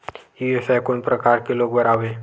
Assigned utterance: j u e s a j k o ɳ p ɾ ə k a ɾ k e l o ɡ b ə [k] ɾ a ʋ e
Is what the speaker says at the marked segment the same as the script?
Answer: no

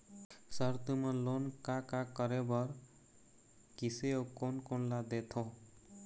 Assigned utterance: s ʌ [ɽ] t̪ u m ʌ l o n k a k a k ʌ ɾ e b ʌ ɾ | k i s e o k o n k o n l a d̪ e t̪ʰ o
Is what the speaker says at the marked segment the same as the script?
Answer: no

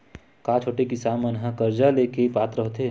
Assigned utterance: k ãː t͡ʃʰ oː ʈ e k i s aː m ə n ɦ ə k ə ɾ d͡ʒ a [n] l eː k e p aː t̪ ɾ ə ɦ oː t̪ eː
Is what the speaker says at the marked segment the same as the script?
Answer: no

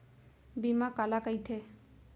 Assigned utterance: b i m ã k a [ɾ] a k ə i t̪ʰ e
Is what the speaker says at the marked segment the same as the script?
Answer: no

